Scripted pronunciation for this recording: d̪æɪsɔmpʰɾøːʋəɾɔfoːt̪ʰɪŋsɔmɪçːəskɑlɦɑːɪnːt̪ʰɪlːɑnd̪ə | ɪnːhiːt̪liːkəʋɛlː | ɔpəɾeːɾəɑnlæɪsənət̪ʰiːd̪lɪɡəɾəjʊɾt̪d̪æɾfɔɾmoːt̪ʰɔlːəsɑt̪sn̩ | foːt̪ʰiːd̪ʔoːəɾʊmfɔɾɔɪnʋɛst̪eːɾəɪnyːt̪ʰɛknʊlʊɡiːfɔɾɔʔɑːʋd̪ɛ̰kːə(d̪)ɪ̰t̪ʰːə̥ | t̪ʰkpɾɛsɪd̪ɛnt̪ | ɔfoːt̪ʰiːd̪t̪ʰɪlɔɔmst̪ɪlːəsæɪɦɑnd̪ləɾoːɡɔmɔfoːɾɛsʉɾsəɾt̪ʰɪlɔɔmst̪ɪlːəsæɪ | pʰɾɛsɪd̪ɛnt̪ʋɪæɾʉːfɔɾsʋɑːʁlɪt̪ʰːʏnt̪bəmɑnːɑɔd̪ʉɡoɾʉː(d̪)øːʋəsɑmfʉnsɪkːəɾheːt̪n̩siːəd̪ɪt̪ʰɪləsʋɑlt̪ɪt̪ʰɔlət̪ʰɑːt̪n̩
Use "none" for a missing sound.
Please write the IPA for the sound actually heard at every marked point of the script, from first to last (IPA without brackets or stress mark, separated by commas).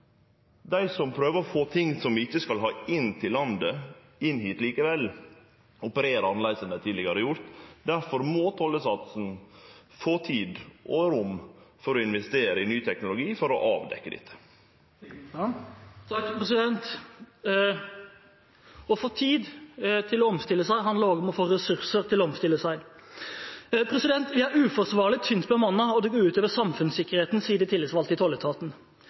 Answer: d̪, t̪